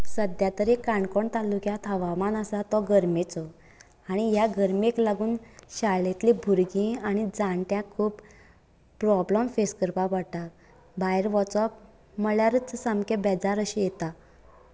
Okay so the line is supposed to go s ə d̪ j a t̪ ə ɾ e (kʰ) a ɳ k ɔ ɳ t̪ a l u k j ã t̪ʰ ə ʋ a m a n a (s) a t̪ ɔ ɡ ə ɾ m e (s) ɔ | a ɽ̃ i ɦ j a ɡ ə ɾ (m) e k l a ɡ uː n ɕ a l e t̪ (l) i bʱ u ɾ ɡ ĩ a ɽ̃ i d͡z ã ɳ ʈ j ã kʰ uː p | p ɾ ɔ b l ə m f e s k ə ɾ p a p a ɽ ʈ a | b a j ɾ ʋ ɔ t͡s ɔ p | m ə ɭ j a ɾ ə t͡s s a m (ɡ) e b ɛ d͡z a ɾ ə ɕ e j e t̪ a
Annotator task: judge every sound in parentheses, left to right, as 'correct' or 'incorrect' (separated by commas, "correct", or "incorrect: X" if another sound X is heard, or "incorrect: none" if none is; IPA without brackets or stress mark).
incorrect: k, correct, incorrect: t͡s, correct, correct, incorrect: k